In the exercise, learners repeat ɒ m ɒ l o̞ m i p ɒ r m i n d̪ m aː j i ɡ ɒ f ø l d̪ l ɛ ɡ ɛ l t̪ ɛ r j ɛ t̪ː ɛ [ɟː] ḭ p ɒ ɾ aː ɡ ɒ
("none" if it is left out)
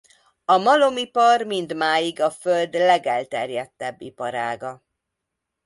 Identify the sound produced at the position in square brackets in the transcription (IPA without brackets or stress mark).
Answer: bː